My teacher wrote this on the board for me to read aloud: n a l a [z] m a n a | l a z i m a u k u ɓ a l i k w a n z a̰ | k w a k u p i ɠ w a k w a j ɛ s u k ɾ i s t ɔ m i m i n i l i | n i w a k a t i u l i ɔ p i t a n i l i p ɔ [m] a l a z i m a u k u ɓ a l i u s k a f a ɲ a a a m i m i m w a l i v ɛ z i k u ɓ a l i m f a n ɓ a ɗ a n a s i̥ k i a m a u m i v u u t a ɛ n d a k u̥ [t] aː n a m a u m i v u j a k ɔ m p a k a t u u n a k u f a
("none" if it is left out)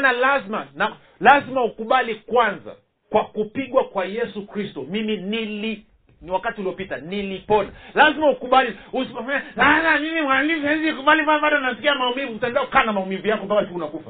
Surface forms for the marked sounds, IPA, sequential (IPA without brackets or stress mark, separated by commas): z, n, k